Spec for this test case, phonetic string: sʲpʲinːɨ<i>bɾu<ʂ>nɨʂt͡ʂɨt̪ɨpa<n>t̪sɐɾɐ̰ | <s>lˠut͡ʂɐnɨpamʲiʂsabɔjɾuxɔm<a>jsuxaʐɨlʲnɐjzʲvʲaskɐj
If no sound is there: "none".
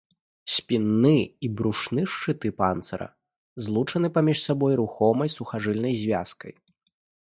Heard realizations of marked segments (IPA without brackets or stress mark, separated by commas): i, ʂ, n, z, ɐ